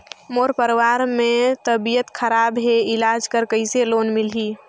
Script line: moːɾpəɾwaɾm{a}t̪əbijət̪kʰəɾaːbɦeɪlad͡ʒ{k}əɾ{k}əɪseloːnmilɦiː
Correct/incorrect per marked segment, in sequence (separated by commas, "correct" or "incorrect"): incorrect, correct, correct